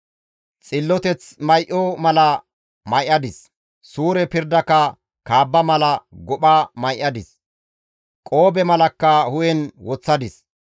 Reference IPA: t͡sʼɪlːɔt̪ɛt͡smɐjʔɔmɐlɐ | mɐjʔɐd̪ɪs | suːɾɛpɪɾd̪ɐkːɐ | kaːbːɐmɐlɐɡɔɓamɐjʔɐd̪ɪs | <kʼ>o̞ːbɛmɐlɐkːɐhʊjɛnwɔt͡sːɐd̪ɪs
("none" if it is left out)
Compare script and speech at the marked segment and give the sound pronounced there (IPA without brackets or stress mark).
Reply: kʼ